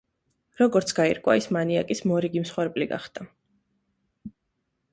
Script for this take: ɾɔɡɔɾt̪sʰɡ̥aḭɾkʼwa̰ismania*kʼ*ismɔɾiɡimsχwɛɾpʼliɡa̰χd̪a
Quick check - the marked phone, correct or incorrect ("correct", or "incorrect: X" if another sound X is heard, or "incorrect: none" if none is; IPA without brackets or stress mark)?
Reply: correct